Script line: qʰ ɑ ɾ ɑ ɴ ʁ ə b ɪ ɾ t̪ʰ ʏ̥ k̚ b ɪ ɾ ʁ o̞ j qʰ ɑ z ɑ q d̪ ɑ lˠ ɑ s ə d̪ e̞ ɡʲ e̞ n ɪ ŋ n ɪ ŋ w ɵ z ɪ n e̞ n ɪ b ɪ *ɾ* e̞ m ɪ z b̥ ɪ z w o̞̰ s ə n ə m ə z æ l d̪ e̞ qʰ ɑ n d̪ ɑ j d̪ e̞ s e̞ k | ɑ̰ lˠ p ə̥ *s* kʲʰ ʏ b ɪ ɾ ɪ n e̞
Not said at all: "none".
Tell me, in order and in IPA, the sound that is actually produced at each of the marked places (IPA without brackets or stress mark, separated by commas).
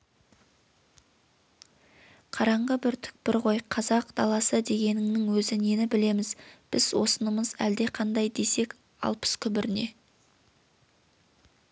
l, s